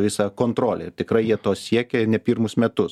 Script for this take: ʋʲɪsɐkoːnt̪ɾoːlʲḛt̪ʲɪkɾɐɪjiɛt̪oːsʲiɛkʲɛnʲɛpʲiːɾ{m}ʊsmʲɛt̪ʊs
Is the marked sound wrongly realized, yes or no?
no